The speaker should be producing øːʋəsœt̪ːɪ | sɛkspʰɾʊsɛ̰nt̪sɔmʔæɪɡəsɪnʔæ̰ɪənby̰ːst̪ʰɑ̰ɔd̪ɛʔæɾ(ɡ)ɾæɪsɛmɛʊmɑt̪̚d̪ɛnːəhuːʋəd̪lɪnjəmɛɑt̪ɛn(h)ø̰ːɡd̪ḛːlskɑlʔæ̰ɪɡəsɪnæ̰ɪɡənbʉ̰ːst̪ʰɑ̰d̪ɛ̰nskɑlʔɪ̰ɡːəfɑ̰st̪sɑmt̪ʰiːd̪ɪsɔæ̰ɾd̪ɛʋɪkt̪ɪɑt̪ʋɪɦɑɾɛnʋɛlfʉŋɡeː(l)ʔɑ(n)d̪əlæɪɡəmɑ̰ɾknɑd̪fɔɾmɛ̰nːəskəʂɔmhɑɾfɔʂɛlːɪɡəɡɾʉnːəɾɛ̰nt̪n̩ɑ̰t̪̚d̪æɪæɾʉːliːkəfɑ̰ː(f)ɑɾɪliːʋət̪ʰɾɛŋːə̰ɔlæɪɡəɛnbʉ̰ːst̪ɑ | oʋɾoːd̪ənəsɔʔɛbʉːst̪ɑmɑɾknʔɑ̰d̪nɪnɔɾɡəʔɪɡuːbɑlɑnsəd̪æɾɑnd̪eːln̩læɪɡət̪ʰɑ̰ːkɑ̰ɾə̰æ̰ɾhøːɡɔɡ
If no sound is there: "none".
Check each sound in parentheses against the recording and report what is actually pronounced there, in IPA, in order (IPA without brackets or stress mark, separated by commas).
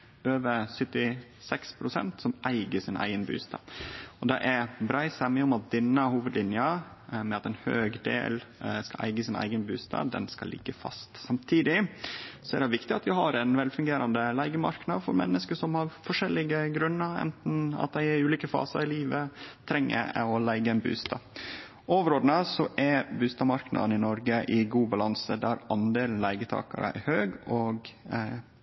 b, h, ɾ, n, s